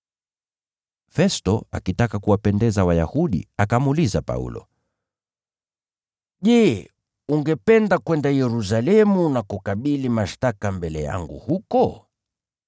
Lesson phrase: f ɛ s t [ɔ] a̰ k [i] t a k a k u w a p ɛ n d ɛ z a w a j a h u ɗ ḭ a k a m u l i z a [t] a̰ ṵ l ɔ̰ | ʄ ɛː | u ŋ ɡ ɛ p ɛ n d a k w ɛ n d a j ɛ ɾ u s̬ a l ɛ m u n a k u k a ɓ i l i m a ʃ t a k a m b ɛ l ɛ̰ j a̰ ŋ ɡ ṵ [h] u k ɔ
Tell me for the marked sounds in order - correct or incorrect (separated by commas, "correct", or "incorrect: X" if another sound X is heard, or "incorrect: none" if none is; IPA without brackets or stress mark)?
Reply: correct, correct, incorrect: p, correct